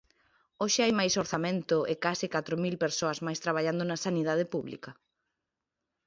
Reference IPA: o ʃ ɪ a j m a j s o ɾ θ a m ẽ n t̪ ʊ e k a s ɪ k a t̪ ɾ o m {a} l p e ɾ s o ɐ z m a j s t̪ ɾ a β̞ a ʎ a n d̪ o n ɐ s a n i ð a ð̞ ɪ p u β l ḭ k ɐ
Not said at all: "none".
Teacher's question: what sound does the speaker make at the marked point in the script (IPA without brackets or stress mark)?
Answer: i